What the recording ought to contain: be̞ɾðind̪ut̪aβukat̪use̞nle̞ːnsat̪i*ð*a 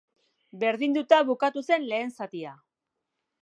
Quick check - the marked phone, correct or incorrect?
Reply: incorrect